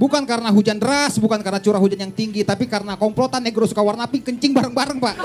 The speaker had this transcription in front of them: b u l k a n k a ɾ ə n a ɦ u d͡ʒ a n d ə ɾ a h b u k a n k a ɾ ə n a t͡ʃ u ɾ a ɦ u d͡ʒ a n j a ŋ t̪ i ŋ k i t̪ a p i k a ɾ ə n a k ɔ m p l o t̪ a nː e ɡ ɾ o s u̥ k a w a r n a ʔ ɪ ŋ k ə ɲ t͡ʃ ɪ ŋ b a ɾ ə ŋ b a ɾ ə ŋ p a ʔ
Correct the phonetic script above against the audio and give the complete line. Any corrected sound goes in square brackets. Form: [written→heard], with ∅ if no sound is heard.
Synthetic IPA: b u [l→∅] k a n k a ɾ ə n a ɦ u d͡ʒ a n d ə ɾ a [h→s] b u k a n k a ɾ ə n a t͡ʃ u ɾ a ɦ u d͡ʒ a n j a ŋ t̪ i ŋ [k→ɡ] i t̪ a p i k a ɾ ə n a k ɔ m p l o t̪ a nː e ɡ ɾ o s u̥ k a w a r n a [ʔ→p] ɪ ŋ k ə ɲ t͡ʃ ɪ ŋ b a ɾ ə ŋ b a ɾ ə ŋ p a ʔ